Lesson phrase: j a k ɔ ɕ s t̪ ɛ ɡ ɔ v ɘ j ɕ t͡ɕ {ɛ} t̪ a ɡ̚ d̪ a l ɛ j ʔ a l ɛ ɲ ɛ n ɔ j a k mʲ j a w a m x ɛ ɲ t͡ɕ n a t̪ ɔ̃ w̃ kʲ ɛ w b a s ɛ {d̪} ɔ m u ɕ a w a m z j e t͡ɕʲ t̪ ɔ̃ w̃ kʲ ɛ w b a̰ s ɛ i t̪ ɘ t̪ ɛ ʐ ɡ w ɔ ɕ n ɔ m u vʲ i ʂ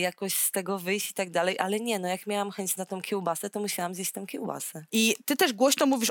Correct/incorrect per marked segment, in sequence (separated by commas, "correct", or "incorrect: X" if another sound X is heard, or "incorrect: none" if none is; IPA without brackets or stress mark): incorrect: i, incorrect: t̪